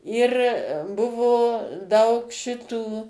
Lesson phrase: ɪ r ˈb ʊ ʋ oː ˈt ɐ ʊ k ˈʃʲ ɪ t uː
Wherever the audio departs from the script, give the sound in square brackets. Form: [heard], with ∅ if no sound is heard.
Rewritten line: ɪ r ˈb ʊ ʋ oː [ˈd] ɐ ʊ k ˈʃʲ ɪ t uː

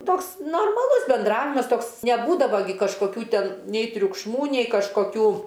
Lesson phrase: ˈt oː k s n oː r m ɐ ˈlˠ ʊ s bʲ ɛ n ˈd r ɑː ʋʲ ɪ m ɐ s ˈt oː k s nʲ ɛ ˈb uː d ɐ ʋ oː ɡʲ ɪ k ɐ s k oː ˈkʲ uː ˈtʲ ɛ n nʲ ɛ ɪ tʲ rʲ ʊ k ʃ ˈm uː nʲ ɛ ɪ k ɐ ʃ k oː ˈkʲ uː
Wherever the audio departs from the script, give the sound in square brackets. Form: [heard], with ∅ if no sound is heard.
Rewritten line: ˈt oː k s n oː r m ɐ ˈlˠ ʊ s bʲ ɛ n ˈd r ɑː ʋʲ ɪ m ɐ s ˈt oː k s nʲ ɛ ˈb uː d ɐ ʋ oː ɡʲ ɪ k ɐ [ʃ] k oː ˈkʲ uː ˈtʲ ɛ n nʲ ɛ ɪ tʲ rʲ ʊ k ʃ ˈm uː nʲ ɛ ɪ k ɐ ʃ k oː ˈkʲ uː

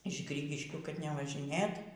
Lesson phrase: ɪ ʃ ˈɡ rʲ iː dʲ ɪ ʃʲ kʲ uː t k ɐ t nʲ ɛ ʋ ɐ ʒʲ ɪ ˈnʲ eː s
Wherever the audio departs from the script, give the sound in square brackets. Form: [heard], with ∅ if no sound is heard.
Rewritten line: ɪ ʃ ˈɡ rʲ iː [ɡʲ] ɪ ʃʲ kʲ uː [∅] k ɐ t nʲ ɛ ʋ ɐ ʒʲ ɪ ˈnʲ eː [t]

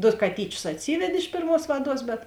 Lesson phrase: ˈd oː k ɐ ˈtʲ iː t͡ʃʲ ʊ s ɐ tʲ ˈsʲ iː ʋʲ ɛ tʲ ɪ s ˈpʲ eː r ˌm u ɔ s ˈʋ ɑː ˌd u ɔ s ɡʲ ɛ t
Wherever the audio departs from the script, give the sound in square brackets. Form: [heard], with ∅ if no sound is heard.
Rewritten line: ˈd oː k ɐ ˈtʲ iː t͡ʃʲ ʊ s ɐ tʲ ˈsʲ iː ʋʲ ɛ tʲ ɪ [ʃ] ˈpʲ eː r ˌm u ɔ s ˈʋ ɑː ˌd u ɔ s [bʲ] ɛ t

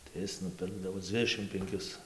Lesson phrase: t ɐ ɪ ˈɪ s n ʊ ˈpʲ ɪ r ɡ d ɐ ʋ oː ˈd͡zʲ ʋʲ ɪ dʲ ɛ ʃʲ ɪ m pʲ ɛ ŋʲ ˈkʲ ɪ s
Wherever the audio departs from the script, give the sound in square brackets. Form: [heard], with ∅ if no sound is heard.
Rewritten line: t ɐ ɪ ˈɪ s n ʊ ˈpʲ ɪ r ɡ d ɐ ʋ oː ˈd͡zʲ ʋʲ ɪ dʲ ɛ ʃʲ ɪ m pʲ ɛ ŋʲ ˈkʲ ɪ s

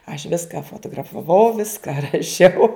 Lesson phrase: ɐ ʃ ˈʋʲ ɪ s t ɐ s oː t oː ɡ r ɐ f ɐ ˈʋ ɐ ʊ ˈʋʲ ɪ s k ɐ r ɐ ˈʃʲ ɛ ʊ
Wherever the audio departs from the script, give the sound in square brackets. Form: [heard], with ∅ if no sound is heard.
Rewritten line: ɐ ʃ ˈʋʲ ɪ s [k] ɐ [f] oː t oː ɡ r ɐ f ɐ ˈʋ ɐ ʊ ˈʋʲ ɪ s k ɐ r ɐ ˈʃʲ ɛ ʊ

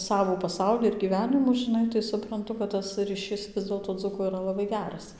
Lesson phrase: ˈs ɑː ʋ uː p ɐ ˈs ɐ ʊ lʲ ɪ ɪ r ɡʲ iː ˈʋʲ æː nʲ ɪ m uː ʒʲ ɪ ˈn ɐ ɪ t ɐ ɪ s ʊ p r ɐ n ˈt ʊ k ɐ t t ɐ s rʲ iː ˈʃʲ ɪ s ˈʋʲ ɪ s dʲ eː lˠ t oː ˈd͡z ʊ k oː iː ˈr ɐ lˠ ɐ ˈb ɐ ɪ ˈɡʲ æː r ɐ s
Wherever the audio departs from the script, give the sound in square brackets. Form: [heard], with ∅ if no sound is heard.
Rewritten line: ˈs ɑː ʋ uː p ɐ ˈs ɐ ʊ lʲ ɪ ɪ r ɡʲ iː ˈʋʲ æː nʲ ɪ m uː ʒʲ ɪ ˈn ɐ ɪ t ɐ ɪ s ʊ p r ɐ n ˈt ʊ k ɐ t t ɐ s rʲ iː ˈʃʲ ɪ s ˈʋʲ ɪ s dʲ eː lˠ t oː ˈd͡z ʊ k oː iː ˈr ɐ lˠ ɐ ˈb ɐ ɪ ˈɡʲ æː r ɐ s

